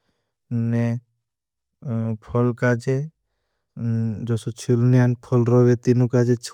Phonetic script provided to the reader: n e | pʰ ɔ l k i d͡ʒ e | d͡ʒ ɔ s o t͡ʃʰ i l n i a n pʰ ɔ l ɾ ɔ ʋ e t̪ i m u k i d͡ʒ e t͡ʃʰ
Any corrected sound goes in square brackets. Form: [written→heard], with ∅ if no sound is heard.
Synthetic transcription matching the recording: n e | pʰ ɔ l k [i→a] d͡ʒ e | d͡ʒ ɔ s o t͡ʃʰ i l n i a n pʰ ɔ l ɾ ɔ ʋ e t̪ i [m→n] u k [i→a] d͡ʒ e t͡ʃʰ